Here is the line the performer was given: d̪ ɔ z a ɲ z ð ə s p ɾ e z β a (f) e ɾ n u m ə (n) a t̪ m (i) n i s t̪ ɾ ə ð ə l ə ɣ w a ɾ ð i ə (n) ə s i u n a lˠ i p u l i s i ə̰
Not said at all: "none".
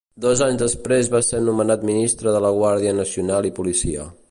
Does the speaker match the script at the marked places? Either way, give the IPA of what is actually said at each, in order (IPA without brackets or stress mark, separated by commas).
s, n, i, n